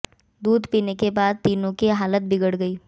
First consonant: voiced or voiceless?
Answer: voiced